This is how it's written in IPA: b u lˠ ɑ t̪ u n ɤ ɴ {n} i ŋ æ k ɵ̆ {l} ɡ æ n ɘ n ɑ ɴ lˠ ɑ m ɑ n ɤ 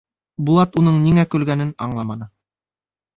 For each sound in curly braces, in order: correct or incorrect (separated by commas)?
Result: correct, correct